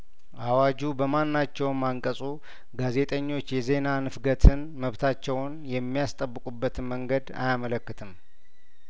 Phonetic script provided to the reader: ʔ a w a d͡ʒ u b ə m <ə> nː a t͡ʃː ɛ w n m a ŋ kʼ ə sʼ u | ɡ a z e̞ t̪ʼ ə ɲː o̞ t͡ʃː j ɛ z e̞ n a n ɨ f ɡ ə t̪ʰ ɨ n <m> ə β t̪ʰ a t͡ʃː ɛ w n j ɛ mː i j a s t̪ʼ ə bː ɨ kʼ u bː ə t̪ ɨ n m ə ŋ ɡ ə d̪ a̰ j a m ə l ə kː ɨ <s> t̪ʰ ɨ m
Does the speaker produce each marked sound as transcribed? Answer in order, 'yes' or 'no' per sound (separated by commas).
no, yes, no